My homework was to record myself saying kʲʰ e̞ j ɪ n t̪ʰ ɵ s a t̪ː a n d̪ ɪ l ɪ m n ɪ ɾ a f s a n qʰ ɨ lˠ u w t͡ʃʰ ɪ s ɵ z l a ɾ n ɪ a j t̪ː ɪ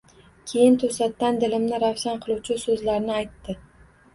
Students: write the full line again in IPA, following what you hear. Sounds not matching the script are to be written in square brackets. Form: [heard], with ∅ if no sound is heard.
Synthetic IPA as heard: kʲʰ e̞ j ɪ n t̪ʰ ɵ s a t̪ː a n d̪ ɪ l ɪ m n ɪ ɾ a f s a n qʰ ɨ lˠ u w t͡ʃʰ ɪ s ɵ z l a ɾ n ɪ a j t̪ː ɪ